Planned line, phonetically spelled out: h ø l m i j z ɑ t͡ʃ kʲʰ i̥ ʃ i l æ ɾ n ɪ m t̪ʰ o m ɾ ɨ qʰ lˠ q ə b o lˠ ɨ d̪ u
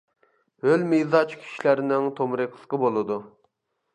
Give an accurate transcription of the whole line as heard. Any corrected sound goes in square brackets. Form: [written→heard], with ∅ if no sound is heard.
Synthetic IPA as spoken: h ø l m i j z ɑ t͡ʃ kʲʰ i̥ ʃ i l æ ɾ n ɪ [m→ŋ] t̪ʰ o m ɾ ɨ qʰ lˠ q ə b o lˠ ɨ d̪ u